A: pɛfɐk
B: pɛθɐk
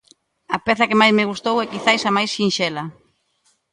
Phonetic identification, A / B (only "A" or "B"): B